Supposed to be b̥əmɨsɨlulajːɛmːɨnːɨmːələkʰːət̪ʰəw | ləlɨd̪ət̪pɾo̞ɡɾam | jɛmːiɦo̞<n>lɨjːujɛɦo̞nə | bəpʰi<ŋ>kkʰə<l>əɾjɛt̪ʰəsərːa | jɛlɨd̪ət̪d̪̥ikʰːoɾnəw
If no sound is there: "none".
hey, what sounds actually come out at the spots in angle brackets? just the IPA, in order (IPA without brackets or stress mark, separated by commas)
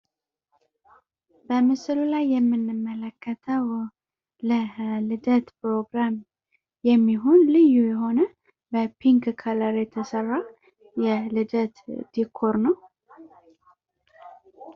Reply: n, ŋ, l